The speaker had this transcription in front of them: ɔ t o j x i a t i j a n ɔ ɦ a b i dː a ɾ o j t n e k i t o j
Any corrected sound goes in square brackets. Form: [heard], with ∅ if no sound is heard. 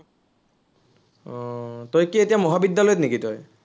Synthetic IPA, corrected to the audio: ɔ t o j [k] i [e] t i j a [m] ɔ ɦ a b i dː a [l] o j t n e k i t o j